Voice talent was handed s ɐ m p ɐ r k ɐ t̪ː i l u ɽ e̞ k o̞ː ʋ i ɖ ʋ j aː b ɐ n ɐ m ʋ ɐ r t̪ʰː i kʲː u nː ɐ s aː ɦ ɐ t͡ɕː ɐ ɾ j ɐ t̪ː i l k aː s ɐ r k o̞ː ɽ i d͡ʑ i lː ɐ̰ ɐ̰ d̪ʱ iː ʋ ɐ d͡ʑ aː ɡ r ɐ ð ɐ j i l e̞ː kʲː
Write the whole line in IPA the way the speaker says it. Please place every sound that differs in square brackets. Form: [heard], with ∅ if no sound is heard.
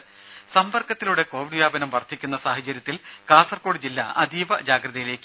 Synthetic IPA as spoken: s ɐ m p ɐ r k ɐ t̪ː i l u ɽ e̞ k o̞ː ʋ i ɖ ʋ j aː b ɐ n ɐ m ʋ ɐ r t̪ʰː i kʲː u nː ɐ s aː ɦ ɐ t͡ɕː ɐ ɾ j ɐ t̪ː i l k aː s ɐ r k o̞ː ɽ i d͡ʑ i lː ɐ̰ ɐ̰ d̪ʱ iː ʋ ɐ d͡ʑ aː ɡ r ɐ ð ɐ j i l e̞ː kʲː